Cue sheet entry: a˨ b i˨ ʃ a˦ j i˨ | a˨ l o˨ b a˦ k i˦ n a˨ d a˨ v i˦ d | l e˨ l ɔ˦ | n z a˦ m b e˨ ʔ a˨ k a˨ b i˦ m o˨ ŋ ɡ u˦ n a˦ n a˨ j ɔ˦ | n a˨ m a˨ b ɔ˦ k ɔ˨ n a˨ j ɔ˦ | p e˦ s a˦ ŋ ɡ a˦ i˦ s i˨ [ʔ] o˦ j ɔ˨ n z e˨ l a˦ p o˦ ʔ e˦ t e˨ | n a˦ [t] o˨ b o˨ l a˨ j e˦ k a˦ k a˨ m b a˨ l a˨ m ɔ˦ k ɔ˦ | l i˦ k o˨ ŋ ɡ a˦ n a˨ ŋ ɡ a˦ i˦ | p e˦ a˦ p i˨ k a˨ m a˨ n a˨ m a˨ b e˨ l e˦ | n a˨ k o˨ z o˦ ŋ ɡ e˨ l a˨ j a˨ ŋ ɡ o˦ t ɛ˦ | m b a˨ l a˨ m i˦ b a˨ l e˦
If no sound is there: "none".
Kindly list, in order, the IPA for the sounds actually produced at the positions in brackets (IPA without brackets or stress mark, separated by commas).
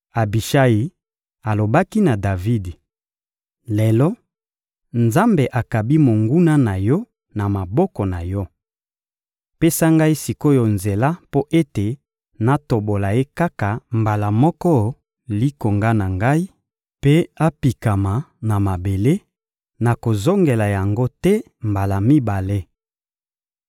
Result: k, t